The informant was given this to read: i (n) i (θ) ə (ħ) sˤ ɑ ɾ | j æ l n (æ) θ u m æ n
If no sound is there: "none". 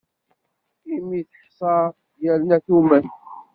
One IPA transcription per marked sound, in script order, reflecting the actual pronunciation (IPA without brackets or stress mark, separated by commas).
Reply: m, θ, ħ, æ